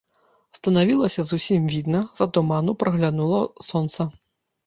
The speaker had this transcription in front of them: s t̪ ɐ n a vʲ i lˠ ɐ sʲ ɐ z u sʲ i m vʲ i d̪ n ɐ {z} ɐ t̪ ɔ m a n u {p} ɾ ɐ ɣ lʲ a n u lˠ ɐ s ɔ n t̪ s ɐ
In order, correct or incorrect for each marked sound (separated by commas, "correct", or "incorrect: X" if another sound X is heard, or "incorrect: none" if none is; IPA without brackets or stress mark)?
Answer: correct, correct